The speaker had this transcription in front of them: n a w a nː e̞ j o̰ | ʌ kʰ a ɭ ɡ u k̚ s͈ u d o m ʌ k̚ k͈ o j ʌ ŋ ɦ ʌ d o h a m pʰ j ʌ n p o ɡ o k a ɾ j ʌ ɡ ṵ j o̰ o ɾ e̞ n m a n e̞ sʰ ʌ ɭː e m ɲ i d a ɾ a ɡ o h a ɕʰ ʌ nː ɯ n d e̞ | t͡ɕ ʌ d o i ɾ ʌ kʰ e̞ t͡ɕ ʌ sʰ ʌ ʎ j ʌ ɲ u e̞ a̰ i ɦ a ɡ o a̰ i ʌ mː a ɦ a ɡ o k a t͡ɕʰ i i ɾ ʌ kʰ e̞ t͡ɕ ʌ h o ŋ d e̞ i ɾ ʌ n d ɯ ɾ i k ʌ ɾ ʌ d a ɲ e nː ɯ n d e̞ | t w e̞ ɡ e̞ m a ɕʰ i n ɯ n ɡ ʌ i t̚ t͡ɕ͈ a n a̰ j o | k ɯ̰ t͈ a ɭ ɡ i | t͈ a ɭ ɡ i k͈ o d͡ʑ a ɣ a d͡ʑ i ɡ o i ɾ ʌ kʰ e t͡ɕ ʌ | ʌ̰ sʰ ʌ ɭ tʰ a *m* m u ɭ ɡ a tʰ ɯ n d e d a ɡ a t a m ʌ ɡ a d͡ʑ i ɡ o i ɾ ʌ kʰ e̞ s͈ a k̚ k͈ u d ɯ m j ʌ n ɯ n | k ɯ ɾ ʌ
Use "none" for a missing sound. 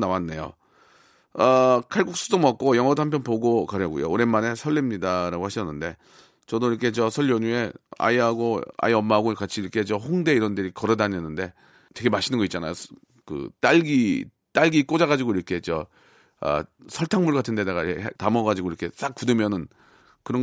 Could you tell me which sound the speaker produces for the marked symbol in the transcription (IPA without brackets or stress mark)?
ŋ